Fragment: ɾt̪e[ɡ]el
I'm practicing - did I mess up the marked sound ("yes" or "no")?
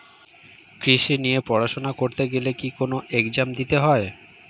no